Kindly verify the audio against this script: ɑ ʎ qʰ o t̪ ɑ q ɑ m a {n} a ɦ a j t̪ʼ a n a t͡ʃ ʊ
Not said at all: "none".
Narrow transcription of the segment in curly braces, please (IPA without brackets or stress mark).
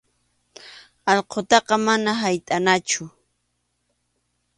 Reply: n